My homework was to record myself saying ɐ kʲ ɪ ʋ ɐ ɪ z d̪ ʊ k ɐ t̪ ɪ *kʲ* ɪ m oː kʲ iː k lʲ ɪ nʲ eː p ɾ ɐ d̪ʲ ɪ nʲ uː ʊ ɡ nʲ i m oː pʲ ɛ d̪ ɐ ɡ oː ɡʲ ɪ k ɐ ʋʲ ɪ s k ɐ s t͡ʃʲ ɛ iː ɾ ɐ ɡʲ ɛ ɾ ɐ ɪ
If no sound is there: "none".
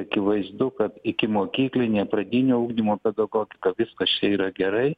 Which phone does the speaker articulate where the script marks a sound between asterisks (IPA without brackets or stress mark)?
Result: kʲ